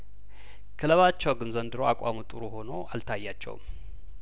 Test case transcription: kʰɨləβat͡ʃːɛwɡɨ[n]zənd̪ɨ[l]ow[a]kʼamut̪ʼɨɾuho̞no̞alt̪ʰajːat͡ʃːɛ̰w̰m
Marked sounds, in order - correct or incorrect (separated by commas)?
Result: correct, incorrect, correct